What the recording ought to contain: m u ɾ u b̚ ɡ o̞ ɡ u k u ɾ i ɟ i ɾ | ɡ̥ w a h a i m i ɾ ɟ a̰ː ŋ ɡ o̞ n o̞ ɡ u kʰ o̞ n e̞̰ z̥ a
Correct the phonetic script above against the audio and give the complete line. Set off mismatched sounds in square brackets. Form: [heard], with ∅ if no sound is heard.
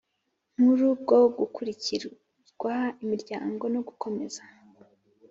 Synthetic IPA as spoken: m u ɾ u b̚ ɡ o̞ ɡ u k u ɾ i [c] i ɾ | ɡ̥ w a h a i m i ɾ ɟ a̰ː ŋ ɡ o̞ n o̞ ɡ u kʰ o̞ [m] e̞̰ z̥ a

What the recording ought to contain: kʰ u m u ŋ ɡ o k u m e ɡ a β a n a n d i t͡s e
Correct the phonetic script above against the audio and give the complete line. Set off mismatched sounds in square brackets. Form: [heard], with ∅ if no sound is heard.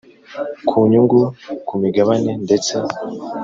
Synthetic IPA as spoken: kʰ u [ɲ] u ŋ ɡ [u] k u m [i] ɡ a β a n [e] n d [e] t͡s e

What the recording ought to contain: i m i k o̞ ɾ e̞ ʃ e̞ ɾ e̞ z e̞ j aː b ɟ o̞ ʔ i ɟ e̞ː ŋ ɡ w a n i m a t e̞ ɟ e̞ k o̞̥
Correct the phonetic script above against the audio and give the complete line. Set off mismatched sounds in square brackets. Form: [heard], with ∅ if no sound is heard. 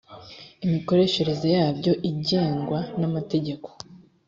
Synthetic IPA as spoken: i m i k o̞ ɾ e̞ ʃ e̞ ɾ e̞ z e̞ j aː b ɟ o̞ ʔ i ɟ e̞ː ŋ ɡ w a n [a] m a t e̞ ɟ e̞ k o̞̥

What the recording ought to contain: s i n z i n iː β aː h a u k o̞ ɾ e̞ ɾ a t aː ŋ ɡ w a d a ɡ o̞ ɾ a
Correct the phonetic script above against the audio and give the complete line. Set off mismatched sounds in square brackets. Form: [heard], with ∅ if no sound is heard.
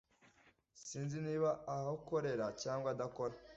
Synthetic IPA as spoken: s [iː] n z i n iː β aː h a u k o̞ ɾ e̞ ɾ a [c] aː ŋ ɡ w a d a [k] o̞ ɾ a

